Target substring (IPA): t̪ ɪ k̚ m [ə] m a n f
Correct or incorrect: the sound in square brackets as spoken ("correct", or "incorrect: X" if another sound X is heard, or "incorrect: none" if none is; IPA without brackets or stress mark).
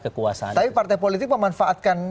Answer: correct